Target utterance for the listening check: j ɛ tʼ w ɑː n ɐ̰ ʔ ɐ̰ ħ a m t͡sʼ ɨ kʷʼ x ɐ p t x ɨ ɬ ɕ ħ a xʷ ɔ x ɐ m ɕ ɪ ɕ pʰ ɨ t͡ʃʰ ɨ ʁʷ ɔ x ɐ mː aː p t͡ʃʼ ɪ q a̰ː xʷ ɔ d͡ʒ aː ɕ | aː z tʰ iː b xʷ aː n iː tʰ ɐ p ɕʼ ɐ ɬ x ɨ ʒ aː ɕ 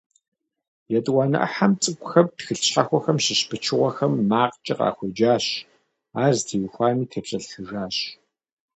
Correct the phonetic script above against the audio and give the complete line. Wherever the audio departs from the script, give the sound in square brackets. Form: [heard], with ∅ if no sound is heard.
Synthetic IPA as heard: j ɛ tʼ w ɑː n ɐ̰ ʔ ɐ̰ ħ a m t͡sʼ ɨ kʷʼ x ɐ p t x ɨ ɬ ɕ ħ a xʷ ɔ x ɐ m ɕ ɪ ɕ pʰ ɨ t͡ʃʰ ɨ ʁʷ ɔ x ɐ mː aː [q] t͡ʃʼ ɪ q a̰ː xʷ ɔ d͡ʒ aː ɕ | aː z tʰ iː [w] xʷ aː n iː tʰ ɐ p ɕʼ ɐ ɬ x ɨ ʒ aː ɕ